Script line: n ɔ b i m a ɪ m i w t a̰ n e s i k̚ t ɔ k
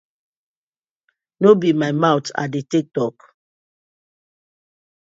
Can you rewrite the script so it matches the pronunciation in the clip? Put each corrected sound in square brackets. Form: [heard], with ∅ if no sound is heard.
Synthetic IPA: n [o] b i m a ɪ m [a] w t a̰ [d] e [t] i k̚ t ɔ k